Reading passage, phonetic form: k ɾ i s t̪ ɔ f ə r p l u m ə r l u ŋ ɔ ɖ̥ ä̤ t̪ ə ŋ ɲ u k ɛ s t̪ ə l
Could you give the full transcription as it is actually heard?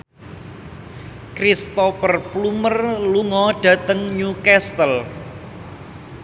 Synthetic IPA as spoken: k ɾ i s t̪ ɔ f ə r p l u m ə r l u ŋ ɔ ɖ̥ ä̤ t̪ ə ŋ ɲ u k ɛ s t̪ ə l